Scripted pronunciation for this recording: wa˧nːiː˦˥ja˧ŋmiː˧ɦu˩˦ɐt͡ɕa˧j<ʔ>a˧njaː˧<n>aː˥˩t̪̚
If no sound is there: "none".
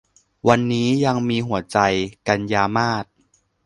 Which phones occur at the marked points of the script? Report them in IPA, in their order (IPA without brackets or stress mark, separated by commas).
k, m